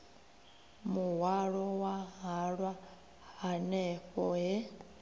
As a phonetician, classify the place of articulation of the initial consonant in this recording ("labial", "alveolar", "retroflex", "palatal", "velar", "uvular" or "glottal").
labial